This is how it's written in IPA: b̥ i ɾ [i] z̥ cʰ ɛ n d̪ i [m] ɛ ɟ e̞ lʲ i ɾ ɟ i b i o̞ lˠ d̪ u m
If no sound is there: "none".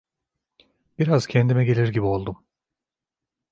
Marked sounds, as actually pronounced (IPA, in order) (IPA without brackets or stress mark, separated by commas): a, m